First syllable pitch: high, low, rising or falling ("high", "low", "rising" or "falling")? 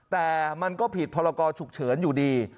low